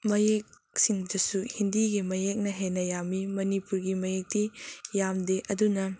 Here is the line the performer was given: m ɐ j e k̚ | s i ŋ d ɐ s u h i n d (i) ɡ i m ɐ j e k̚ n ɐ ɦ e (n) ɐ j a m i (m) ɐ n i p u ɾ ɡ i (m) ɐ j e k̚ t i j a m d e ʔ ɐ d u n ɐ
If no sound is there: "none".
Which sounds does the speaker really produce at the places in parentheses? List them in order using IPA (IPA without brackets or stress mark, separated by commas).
i, n, m, m